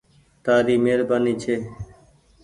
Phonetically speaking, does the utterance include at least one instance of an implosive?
no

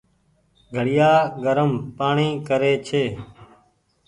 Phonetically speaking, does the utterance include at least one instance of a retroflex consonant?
yes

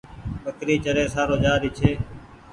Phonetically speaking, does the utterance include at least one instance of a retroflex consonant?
no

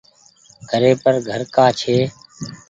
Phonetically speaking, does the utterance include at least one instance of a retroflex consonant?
no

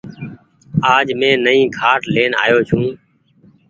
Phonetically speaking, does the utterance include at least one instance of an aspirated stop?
yes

